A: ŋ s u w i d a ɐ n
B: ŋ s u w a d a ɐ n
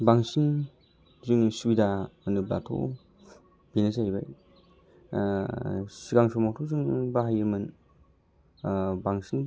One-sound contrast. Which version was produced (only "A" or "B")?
A